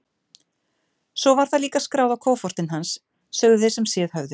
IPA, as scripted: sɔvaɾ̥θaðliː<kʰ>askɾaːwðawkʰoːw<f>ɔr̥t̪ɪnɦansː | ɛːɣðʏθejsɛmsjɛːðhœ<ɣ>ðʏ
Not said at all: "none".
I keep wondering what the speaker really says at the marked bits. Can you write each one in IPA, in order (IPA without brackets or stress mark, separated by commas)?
k, f, v